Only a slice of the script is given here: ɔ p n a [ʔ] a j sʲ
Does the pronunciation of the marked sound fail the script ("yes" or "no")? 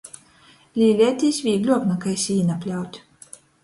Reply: yes